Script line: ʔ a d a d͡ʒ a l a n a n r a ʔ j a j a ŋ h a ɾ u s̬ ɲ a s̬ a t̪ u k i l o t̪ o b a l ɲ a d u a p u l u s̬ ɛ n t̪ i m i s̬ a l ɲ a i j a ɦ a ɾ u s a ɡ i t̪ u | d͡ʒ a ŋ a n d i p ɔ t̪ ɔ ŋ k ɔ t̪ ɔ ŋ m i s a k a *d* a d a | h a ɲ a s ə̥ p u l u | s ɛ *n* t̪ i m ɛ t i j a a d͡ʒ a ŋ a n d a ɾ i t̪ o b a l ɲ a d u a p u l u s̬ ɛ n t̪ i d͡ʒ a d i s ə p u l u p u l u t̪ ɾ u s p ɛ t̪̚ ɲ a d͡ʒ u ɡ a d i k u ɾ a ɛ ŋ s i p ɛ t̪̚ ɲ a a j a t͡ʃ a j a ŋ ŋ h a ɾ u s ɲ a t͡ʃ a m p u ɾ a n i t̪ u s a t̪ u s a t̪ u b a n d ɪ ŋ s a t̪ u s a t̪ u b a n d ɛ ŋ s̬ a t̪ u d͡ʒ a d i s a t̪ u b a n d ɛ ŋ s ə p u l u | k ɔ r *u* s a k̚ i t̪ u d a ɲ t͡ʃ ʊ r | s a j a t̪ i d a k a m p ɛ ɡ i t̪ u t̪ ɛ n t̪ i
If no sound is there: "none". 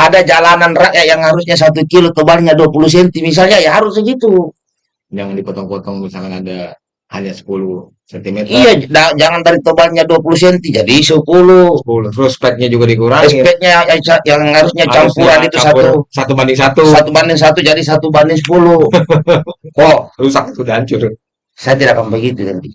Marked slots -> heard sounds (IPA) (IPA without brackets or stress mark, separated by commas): n, n, u